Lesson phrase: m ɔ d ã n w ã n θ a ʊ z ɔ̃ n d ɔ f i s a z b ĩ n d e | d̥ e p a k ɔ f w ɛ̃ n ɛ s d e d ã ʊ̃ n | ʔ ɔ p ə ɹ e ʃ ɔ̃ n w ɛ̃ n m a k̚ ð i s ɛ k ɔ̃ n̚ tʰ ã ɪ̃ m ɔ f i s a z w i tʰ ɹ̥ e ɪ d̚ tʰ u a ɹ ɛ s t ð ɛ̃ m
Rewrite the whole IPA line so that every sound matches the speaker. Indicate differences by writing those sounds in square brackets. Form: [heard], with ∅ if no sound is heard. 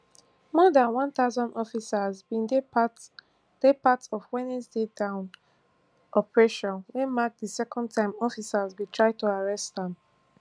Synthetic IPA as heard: m ɔ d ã n w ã n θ a ʊ z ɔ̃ n d ɔ f i s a z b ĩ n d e | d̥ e p a [t] ɔ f w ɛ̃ n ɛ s d e d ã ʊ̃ n | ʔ ɔ p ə ɹ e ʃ ɔ̃ n w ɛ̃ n m a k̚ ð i s ɛ k ɔ̃ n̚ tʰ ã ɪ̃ m ɔ f i s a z w i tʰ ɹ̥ [a] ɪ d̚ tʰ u a ɹ ɛ s t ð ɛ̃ m